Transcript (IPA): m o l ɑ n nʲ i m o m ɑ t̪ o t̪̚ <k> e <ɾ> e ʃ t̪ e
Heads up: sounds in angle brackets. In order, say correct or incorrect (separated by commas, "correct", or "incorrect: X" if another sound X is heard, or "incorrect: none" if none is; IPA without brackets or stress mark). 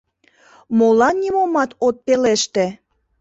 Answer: incorrect: p, incorrect: l